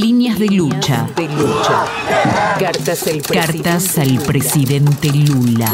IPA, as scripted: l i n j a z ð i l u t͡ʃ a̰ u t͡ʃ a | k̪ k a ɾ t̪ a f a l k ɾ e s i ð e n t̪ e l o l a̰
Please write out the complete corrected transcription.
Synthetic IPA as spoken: l i n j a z ð e l u t͡ʃ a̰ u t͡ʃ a | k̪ k a ɾ t̪ a s a l p ɾ e s i ð e n t̪ e l u l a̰